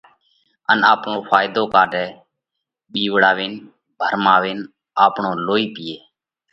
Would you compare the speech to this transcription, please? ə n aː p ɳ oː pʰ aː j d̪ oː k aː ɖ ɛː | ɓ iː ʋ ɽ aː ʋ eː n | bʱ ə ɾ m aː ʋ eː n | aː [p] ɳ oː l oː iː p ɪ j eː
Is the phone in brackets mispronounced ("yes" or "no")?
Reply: no